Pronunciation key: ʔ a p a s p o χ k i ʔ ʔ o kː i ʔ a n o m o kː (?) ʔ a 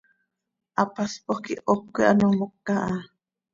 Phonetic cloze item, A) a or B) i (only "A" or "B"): A